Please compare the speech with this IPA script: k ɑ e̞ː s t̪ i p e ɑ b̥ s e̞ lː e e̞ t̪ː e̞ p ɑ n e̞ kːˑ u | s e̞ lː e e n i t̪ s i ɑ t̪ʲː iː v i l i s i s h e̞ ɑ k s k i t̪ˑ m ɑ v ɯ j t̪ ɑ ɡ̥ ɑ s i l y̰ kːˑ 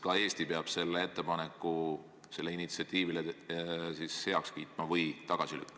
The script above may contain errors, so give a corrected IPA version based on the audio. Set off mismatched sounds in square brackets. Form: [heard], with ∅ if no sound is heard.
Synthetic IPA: k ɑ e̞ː s t̪ i p e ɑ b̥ s e̞ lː e e̞ t̪ː e̞ p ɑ n e̞ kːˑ u | s e̞ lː e [i] n i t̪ s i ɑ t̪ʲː iː v i l [e] s i s h e̞ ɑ k s k [iː] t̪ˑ m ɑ v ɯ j t̪ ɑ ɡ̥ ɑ s i l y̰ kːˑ